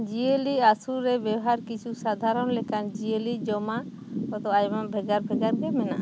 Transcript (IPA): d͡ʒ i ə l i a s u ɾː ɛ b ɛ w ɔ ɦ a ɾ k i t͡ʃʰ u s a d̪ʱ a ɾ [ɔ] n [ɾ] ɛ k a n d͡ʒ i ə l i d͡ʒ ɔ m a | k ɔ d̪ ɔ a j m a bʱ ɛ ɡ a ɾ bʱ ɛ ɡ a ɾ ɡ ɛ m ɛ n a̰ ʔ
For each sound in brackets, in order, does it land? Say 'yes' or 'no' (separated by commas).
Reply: yes, no